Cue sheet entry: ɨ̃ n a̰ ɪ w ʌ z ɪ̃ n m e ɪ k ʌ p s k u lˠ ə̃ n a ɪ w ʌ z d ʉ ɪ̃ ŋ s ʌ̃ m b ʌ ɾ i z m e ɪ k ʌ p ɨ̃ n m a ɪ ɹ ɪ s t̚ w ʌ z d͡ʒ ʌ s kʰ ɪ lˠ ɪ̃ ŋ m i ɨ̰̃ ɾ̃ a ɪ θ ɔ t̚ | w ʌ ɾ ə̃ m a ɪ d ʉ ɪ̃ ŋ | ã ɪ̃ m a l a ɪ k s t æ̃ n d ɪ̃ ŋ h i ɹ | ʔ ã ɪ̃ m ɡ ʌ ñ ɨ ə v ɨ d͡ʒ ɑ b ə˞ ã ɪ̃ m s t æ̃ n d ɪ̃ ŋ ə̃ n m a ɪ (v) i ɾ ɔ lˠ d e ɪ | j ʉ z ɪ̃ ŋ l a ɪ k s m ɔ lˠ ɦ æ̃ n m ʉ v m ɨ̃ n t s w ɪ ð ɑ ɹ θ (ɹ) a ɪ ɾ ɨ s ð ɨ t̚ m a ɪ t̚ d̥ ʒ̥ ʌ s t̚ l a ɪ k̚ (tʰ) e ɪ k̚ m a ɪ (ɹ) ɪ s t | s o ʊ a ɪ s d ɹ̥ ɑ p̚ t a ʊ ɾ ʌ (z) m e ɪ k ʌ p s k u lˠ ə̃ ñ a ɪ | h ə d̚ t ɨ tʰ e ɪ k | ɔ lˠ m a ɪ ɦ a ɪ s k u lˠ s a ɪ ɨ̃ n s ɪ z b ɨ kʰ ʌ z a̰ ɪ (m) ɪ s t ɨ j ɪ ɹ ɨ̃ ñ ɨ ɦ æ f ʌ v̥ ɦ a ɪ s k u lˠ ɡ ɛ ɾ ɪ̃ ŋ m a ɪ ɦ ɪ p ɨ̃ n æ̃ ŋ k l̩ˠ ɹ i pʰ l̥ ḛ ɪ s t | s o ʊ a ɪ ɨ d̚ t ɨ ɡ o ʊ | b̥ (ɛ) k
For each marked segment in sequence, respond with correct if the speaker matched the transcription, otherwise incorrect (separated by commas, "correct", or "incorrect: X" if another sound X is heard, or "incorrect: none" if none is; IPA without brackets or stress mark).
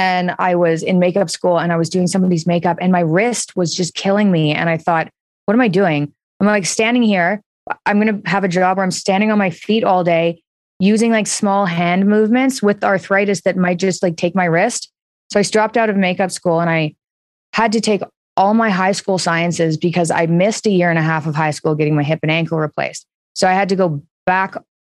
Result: incorrect: f, correct, correct, correct, incorrect: v, correct, incorrect: æ